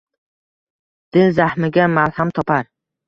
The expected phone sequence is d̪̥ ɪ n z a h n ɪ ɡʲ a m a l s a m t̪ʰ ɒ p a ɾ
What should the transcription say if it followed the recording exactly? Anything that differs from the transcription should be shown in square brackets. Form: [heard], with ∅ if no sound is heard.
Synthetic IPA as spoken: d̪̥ ɪ n z a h [m] ɪ ɡʲ a m a l [h] a m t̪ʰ ɒ p a ɾ